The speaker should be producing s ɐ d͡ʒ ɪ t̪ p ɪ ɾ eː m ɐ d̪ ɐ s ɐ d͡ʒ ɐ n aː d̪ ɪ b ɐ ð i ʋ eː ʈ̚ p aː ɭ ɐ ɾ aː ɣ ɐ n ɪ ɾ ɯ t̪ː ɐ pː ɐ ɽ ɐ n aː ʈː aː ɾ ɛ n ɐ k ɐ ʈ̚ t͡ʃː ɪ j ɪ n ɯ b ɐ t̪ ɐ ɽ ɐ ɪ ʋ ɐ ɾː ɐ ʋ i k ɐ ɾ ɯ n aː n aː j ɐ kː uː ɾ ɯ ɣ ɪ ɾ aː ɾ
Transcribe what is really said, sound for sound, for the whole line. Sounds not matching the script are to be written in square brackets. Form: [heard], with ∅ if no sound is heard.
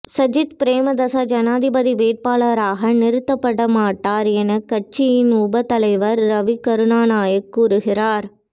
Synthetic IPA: s ɐ d͡ʒ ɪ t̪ p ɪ ɾ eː m ɐ d̪ ɐ s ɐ d͡ʒ ɐ n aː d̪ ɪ b ɐ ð i ʋ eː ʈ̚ p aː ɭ ɐ ɾ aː ɣ ɐ n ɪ ɾ ɯ t̪ː ɐ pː ɐ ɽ ɐ [m] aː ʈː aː ɾ ɛ n ɐ k ɐ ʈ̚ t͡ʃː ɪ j ɪ n [ʊ] b ɐ t̪ ɐ [l] ɐ ɪ ʋ ɐ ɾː ɐ ʋ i k ɐ ɾ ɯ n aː n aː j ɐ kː uː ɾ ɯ ɣ ɪ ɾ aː ɾ